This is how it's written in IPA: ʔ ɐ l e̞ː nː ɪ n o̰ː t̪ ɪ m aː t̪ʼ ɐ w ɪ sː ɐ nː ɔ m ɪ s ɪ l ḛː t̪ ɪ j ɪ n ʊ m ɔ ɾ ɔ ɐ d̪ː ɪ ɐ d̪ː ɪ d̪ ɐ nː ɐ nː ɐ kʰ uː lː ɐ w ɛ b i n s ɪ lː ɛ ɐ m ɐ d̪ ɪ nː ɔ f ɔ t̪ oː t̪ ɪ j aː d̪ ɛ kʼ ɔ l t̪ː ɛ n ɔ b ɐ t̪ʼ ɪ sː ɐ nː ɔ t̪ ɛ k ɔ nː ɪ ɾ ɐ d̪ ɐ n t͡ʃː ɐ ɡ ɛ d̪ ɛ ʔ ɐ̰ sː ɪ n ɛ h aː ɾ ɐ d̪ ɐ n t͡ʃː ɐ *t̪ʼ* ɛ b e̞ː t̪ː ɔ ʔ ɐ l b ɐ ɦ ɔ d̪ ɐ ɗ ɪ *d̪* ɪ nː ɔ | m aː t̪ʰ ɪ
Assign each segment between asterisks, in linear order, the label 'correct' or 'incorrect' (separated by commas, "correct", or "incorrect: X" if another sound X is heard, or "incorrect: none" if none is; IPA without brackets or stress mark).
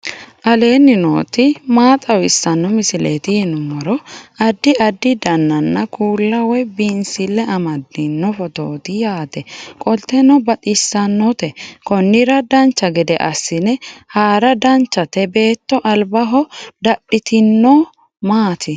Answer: incorrect: t̪, incorrect: t̪